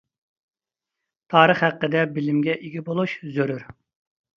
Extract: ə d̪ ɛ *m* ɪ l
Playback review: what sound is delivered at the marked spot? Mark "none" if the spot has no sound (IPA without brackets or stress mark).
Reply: b